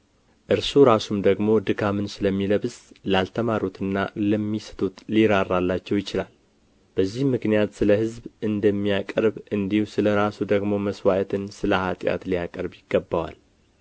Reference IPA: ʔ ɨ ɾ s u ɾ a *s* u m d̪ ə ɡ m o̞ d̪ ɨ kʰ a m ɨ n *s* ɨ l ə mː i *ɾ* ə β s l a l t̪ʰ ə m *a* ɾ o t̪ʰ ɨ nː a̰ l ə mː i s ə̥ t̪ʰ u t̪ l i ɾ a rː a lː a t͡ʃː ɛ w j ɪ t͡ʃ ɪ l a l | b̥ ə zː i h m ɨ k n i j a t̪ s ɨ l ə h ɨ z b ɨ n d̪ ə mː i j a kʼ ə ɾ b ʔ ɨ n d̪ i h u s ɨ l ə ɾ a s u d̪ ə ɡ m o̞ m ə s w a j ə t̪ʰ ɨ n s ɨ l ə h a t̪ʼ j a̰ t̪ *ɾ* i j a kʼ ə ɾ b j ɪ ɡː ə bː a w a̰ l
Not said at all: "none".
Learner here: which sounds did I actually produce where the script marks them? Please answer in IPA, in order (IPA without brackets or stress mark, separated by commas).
s, s, l, a, l